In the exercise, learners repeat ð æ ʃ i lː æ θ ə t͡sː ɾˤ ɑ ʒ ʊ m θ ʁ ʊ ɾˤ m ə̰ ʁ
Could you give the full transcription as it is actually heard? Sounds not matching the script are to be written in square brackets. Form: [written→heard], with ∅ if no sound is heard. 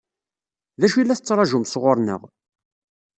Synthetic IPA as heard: ð æ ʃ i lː æ θ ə t͡sː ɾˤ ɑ ʒ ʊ m [θ→s] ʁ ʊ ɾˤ [m→n] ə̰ ʁ

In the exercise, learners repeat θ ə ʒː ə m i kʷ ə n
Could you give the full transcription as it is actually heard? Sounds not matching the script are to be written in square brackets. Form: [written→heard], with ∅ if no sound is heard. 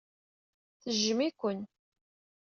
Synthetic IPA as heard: θ ə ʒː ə m i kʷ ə n

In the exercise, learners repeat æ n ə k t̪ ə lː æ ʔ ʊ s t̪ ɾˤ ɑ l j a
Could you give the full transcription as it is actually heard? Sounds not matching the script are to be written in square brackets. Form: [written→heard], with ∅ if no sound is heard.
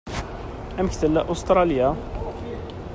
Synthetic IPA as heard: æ [n→m] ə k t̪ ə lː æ ʔ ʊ s t̪ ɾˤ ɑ l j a

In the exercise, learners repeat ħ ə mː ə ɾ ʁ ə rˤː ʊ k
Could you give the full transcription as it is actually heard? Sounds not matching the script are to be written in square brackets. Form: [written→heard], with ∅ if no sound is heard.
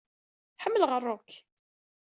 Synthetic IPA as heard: ħ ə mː ə [ɾ→l] ʁ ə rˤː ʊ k

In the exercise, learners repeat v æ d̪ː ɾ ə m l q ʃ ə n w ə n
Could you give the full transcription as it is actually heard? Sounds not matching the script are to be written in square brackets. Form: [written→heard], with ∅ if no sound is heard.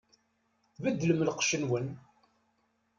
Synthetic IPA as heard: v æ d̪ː [ɾ→l] ə m l q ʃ ə n w ə n

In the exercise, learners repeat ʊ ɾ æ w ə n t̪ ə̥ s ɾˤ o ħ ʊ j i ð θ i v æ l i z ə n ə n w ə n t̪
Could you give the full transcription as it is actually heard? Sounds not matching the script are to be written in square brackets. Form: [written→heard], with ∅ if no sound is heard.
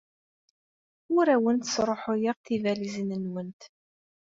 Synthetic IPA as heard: ʊ ɾ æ w ə n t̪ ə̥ s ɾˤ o ħ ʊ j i [ð→ʁ] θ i v æ l i z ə n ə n w ə n t̪

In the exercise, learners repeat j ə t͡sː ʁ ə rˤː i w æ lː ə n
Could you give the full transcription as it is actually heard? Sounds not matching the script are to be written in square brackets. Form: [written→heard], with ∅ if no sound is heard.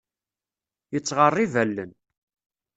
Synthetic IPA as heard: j ə t͡sː ʁ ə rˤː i [w→v] æ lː ə n

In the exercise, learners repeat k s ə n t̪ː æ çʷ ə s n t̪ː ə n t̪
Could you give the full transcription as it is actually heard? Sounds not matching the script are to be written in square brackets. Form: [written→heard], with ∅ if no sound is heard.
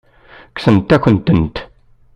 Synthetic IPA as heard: k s ə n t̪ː æ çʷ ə [s→∅] n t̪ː ə n t̪

